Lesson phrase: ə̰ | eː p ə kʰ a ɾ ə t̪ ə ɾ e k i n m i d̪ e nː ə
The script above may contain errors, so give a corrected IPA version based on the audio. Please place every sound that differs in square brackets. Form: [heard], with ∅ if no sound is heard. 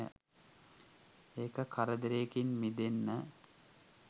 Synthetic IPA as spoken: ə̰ | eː [k] ə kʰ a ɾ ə [d̪] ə ɾ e k i n m i d̪ e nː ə